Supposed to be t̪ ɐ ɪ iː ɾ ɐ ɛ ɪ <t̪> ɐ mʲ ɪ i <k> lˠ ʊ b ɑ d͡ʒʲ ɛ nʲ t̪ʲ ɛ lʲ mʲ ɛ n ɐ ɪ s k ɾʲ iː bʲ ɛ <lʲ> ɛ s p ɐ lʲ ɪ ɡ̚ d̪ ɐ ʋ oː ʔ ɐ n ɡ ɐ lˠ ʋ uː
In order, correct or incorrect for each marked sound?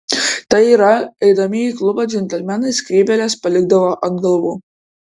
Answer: incorrect: d̪, correct, correct

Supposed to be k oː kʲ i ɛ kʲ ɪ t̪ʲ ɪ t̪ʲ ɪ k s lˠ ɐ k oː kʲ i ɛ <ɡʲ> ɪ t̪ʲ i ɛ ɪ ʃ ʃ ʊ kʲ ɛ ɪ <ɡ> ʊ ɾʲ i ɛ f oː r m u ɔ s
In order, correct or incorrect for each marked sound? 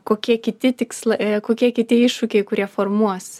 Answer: incorrect: kʲ, incorrect: k

